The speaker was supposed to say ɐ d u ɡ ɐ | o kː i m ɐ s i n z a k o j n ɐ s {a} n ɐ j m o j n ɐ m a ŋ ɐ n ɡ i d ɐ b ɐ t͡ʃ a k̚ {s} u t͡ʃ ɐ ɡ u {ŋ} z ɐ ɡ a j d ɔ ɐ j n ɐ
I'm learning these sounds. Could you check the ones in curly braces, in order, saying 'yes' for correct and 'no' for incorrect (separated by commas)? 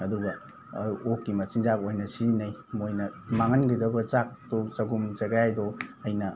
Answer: no, no, no